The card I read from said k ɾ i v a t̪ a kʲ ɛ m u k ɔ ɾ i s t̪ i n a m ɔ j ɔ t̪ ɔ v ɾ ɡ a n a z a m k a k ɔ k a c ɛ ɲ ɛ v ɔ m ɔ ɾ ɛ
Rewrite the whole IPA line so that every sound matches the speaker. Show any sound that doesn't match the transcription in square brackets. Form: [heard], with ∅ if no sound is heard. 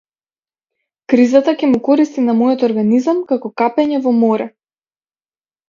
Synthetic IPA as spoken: k ɾ i [z] a t̪ a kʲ ɛ m u k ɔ ɾ i s t̪ i n a m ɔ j ɔ t̪ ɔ [∅] ɾ ɡ a n [i] z a m k a k ɔ k a [p] ɛ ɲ ɛ v ɔ m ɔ ɾ ɛ